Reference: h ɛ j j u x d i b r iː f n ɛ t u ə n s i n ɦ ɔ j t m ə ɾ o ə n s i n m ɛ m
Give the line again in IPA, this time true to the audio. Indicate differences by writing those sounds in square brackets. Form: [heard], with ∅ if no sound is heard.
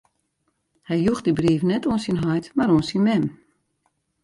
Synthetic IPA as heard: h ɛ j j u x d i b r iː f n ɛ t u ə n s i n ɦ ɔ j t m [a] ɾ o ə n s i n m ɛ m